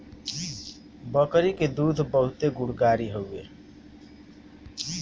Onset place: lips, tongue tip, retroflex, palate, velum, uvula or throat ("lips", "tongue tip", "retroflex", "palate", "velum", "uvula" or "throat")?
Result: lips